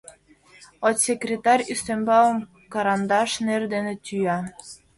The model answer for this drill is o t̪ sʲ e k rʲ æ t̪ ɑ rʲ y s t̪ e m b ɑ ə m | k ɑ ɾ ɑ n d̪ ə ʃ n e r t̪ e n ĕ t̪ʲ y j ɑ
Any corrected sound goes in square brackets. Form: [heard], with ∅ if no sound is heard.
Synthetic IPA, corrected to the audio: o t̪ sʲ e k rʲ [e] t̪ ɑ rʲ y s t̪ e m b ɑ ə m | k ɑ ɾ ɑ n d̪ [ɑ] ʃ n e r [d̪] e n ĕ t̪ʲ y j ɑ

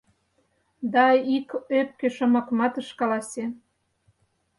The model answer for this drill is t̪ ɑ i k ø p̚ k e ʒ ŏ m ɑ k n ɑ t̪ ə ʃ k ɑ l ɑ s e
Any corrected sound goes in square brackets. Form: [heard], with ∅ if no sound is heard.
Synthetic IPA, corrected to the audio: [d̪] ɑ i k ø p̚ k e [ʃ] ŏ m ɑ k [m] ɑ t̪ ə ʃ k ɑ l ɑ s e

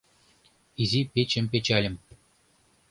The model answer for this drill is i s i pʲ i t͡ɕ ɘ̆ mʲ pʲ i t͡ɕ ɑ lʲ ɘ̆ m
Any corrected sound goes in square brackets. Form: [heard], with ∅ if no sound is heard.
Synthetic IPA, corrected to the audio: i [z] i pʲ [e] t͡ɕ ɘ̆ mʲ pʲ [e] t͡ɕ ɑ lʲ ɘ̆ m

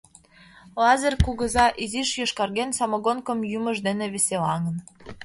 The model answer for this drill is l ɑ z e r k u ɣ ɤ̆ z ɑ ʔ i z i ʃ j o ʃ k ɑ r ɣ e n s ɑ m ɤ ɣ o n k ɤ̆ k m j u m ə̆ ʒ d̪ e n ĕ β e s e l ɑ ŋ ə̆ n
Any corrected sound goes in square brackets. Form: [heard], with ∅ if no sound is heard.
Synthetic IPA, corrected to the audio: l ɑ z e r k u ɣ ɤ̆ z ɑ ʔ i z i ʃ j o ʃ k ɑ r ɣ e n s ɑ m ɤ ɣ o n k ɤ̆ [∅] m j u m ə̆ ʒ d̪ e n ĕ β e s e l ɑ ŋ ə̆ n

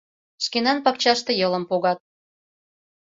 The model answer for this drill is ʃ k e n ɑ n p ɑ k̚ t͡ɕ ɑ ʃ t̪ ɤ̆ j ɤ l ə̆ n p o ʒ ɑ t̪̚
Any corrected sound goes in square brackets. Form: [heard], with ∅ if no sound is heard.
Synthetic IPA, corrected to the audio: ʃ k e n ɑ n p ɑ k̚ t͡ɕ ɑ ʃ t̪ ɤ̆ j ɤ l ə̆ [m] p o [ɣ] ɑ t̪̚

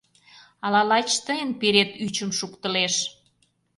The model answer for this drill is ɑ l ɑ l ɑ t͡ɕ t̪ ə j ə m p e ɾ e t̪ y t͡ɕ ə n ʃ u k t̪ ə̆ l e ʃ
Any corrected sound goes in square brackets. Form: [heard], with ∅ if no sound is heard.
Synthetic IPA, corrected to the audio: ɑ l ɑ l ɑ t͡ɕ t̪ ə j ə [n] p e ɾ e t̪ y t͡ɕ ə [m] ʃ u k t̪ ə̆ l e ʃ

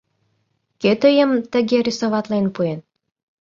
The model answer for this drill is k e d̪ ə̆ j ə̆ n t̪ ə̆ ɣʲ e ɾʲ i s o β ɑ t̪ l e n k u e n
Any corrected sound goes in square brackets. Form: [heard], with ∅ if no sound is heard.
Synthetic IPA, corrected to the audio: k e [t̪] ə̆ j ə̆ [m] t̪ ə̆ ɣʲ e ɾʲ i s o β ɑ t̪ l e n [p] u e n

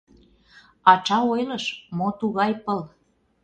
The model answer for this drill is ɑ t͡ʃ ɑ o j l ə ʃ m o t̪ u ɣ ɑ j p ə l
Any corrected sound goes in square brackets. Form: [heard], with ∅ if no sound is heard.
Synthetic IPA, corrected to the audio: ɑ t͡ʃ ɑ o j l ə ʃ m o t̪ u ɣ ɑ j p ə l

